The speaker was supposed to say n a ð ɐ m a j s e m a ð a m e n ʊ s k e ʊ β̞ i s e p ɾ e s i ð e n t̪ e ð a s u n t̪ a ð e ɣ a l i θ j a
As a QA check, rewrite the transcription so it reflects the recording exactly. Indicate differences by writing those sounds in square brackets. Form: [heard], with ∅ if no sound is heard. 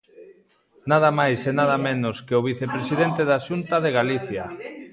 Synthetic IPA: n a ð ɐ m a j s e [n] a ð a m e n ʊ s k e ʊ β̞ i [θ] e p ɾ e s i ð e n t̪ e ð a [ʃ] u n t̪ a ð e ɣ a l i θ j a